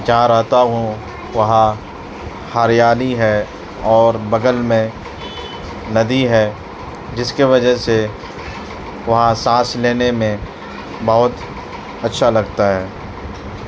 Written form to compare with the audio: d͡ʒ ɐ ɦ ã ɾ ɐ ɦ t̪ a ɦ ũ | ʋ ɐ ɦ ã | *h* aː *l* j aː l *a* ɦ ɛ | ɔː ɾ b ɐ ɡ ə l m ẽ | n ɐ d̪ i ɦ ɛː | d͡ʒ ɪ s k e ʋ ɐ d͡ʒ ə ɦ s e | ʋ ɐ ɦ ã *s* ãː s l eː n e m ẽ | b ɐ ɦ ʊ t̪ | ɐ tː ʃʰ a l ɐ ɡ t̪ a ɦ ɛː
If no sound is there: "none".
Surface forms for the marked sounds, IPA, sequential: h, ɾ, i, s

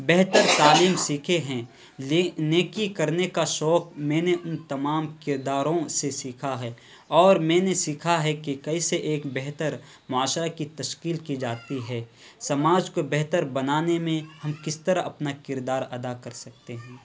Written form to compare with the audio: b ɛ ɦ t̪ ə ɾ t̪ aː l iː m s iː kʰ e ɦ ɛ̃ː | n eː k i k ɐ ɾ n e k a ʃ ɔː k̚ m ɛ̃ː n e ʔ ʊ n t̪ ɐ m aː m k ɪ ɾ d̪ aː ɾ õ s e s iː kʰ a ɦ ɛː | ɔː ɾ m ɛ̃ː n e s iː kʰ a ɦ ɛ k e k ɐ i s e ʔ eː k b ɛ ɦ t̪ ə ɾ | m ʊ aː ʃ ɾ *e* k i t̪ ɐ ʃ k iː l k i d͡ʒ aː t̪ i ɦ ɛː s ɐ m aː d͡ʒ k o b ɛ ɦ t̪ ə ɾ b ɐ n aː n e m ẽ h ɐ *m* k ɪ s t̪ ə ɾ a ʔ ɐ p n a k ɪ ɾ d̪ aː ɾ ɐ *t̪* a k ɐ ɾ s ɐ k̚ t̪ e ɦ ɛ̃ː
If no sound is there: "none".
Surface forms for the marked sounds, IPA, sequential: a, m, d̪

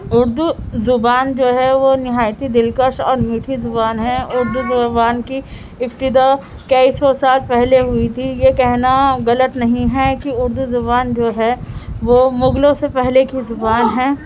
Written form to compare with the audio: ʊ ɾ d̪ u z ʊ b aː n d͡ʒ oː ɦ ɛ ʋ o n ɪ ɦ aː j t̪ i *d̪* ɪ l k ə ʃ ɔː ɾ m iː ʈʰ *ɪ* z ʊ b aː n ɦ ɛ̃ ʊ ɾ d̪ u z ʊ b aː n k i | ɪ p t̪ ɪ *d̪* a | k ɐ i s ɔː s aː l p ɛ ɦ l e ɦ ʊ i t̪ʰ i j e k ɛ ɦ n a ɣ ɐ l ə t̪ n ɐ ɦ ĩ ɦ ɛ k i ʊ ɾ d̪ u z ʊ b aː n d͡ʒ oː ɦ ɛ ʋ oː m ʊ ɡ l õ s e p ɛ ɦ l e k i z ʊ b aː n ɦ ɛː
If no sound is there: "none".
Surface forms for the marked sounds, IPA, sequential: d̪, i, d̪

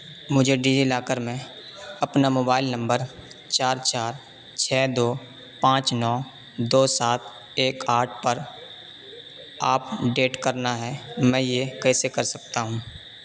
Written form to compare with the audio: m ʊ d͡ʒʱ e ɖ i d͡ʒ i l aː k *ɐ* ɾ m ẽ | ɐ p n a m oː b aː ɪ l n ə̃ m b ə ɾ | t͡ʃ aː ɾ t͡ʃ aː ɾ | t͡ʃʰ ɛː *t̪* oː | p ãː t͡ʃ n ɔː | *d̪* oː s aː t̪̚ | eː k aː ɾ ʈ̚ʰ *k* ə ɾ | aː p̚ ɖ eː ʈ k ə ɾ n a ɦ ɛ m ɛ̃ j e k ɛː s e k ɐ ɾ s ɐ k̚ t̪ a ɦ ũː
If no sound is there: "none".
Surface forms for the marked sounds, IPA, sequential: ə, d̪, d̪, p

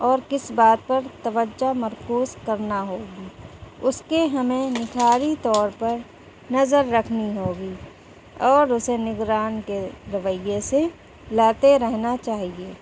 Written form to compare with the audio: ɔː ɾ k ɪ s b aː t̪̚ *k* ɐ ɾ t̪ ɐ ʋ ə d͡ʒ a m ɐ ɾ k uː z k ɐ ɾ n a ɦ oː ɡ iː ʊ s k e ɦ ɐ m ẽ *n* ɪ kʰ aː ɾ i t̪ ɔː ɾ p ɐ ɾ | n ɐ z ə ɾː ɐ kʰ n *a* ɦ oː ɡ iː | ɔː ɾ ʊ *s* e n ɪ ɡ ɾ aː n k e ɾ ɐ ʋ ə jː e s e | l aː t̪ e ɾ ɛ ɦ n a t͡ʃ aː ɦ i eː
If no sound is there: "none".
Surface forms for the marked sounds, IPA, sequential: p, n, i, s

